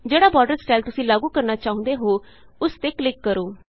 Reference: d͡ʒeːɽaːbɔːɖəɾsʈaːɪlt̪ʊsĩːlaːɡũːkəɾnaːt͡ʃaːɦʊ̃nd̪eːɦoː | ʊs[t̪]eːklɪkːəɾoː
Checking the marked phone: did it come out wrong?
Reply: no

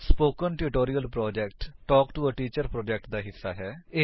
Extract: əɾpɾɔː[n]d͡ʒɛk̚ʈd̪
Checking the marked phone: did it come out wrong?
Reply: yes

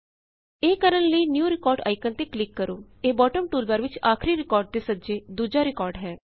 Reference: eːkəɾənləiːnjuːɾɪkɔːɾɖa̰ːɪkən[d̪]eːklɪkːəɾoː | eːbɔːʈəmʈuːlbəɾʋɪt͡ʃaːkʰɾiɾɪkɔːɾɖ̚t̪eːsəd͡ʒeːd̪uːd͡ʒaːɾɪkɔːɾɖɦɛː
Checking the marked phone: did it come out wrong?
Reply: yes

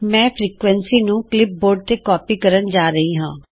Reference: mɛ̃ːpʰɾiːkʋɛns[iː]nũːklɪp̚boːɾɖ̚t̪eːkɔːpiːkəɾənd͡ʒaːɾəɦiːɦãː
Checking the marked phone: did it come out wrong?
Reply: no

